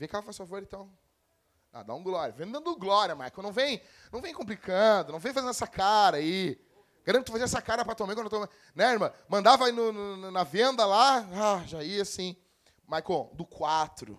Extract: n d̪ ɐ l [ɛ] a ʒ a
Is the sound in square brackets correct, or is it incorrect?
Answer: incorrect